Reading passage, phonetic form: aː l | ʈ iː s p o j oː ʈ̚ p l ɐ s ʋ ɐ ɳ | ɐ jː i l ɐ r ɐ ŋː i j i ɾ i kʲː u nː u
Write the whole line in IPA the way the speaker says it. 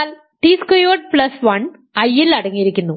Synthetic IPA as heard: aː l | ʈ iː s k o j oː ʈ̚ p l ɐ s ʋ ɐ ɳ | ɐ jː i l ɐ ɽ ɐ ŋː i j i ɾ i kʲː u nː u